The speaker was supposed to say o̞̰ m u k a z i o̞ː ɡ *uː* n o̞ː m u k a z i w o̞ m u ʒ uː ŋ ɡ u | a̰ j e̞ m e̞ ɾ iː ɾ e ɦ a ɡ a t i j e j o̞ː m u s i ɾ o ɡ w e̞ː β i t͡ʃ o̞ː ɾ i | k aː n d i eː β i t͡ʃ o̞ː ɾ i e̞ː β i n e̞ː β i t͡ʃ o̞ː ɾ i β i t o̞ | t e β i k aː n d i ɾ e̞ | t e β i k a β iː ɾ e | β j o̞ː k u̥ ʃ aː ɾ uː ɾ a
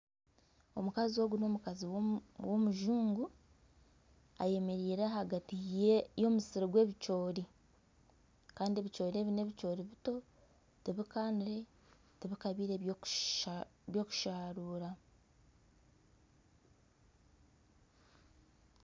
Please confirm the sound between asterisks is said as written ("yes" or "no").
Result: no